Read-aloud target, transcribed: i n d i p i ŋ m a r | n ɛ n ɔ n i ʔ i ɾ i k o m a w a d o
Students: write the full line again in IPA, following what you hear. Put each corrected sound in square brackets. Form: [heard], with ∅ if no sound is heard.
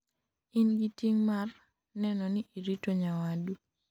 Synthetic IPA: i n [ɡ] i [t] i ŋ m a r | n ɛ n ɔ n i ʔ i ɾ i [t] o [ɲ] a w a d [u]